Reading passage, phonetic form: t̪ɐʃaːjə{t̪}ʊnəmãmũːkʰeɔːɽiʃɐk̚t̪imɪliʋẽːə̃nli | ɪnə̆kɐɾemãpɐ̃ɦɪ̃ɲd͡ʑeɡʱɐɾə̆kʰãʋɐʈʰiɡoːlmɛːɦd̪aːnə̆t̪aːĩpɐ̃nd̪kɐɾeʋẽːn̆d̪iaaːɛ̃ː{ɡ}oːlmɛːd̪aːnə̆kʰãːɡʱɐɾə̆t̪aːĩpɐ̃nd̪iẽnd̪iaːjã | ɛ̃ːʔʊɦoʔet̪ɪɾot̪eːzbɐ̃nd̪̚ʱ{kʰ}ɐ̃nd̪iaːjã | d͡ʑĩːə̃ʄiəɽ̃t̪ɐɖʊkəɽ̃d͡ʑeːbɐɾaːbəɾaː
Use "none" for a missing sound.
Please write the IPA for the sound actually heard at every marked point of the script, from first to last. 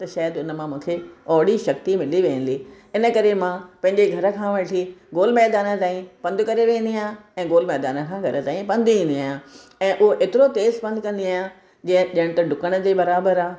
d̪, ɡ, k

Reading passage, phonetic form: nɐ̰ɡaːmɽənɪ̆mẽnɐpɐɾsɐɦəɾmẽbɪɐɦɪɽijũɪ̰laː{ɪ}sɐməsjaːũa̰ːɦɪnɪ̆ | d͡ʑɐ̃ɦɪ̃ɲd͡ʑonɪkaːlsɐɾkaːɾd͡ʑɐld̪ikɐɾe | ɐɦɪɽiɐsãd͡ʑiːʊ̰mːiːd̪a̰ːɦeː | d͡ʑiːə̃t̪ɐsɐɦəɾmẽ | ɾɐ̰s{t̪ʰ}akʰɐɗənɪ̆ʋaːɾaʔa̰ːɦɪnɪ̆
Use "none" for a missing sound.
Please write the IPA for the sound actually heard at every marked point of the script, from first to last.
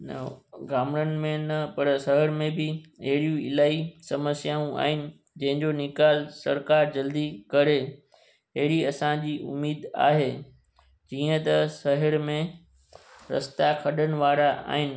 i, t̪

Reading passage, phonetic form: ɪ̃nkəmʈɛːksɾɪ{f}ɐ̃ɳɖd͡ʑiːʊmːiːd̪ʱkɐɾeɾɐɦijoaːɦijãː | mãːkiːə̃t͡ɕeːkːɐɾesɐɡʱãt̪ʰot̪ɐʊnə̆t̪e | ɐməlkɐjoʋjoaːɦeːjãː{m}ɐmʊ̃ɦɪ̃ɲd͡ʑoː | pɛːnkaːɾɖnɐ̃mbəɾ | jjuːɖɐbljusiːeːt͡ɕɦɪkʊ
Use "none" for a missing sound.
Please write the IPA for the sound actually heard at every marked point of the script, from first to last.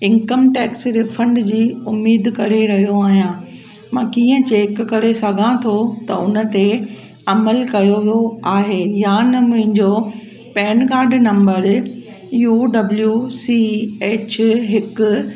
f, n

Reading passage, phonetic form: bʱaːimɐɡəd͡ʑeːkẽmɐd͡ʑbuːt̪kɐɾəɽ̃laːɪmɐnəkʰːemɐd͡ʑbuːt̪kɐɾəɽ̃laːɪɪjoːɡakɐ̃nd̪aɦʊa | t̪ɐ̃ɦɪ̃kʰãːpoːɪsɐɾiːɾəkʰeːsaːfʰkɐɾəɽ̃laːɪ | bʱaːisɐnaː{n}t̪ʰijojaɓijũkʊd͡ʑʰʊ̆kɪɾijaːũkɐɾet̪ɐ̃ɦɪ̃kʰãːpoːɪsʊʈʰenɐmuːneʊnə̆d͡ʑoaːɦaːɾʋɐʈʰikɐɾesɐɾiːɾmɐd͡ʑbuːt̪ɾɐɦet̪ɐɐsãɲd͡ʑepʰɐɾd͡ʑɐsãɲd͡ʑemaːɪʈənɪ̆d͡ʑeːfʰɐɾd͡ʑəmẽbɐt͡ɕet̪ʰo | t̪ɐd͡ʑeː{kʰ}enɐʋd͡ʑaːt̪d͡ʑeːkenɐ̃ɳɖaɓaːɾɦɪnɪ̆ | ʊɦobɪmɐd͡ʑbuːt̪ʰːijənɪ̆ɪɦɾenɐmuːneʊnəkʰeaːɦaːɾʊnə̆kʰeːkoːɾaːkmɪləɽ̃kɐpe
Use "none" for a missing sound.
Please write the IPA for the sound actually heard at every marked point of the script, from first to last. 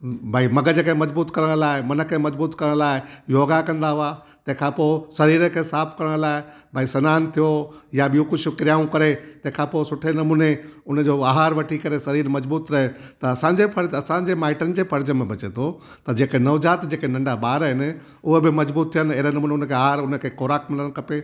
n, k

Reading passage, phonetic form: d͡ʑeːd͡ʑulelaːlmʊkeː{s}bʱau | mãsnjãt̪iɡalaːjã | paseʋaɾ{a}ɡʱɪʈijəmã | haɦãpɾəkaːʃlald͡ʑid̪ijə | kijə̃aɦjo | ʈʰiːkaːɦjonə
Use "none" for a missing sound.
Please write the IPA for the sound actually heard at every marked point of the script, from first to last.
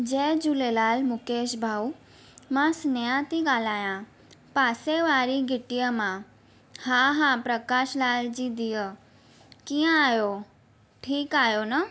ʃ, i

